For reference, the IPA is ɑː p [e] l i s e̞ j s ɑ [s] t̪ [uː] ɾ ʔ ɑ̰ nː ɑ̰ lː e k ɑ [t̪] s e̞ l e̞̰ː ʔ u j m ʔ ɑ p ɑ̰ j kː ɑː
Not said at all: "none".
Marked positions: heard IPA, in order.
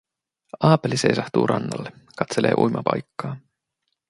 e, h, uː, t̪

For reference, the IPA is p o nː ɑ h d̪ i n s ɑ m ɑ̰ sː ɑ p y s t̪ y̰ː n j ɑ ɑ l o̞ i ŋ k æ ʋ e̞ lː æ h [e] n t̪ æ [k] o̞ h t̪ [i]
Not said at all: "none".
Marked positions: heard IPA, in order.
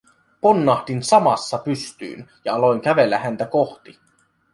æ, k, i

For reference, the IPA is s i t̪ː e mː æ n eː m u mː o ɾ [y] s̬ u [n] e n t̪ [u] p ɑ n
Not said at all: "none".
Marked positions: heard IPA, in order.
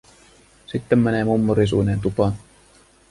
i, n, u

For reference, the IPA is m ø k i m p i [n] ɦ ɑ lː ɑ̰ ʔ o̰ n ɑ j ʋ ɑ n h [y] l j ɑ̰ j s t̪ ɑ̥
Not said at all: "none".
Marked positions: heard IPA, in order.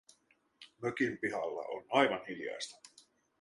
none, i

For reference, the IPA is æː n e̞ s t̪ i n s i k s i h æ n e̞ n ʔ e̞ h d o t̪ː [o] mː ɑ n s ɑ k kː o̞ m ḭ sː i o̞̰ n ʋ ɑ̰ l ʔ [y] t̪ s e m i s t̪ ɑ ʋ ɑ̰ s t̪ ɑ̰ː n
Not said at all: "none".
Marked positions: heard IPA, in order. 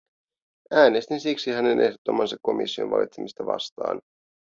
o, i

